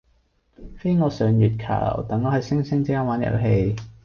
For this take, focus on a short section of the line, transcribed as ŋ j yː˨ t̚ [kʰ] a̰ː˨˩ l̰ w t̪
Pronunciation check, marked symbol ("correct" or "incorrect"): correct